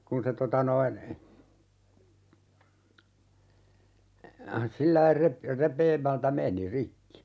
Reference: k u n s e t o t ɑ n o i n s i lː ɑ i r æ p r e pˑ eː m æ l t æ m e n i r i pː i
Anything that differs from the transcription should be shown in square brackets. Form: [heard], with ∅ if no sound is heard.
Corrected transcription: k u n s e t o t ɑ n o i n s i lː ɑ i r [e] p r e pˑ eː m æ l t æ m e n i r i [kː] i